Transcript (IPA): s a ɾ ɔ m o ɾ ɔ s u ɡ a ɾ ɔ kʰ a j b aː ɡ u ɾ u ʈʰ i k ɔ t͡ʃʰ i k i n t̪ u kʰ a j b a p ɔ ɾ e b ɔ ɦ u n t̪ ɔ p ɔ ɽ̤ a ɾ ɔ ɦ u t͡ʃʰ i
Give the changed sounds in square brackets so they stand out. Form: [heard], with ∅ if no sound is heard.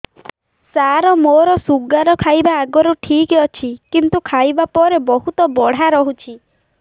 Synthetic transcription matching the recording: s a ɾ ɔ m o ɾ ɔ s u ɡ a ɾ ɔ kʰ a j b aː ɡ [ɔ] ɾ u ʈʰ i k ɔ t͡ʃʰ i k i n t̪ u kʰ a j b a p ɔ ɾ e b ɔ ɦ u [∅] t̪ ɔ [b] ɔ ɽ̤ a ɾ ɔ ɦ u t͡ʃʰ i